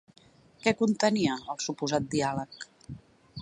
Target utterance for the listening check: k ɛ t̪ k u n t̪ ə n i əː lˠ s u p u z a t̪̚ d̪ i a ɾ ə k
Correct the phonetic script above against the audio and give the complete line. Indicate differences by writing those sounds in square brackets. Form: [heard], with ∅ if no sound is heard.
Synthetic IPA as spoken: k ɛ [∅] k u n t̪ ə n i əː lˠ s u p u z a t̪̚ d̪ i a [l] ə k